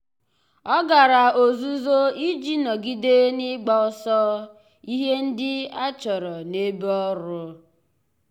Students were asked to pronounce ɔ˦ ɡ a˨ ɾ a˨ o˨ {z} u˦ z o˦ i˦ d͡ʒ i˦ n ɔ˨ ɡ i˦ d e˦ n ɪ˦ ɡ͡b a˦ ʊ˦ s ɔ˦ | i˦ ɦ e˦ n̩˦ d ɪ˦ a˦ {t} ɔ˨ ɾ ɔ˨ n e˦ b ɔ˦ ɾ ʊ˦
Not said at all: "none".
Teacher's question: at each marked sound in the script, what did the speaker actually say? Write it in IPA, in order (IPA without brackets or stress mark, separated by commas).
z, t͡ʃ